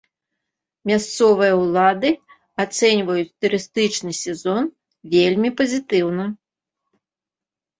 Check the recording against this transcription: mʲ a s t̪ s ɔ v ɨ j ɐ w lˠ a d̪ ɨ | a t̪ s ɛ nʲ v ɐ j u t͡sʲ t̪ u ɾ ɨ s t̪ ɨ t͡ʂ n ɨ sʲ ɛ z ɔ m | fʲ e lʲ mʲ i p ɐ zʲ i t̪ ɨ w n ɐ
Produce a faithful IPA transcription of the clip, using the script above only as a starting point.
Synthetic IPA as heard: mʲ a s t̪ s ɔ v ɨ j ɐ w lˠ a d̪ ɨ | a t̪ s ɛ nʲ v ɐ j u t͡sʲ t̪ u ɾ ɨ s t̪ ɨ t͡ʂ n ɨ sʲ ɛ z ɔ n | vʲ e lʲ mʲ i p ɐ zʲ i t̪ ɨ w n ɐ